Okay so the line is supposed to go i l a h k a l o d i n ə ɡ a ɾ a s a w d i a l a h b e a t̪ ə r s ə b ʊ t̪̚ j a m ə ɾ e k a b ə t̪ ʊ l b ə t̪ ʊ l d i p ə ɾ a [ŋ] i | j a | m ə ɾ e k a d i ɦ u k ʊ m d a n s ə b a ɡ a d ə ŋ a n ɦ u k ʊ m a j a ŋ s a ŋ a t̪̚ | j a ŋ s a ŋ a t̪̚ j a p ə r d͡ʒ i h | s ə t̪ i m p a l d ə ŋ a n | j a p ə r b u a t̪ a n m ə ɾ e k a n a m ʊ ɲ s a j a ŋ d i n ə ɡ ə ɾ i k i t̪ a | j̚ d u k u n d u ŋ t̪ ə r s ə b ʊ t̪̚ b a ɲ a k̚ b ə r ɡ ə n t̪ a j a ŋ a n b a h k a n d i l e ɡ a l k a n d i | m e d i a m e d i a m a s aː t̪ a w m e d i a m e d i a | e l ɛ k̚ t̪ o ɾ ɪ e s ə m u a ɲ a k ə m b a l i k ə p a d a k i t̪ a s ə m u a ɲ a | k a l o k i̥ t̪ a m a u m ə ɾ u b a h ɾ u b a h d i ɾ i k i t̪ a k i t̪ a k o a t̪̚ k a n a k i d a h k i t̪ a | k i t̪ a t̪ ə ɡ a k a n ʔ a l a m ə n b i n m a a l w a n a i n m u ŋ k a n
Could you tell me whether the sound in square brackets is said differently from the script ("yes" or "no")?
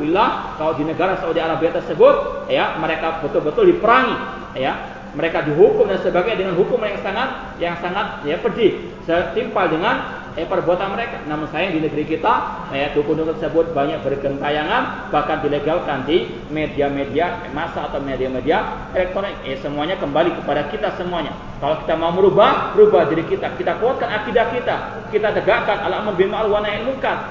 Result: no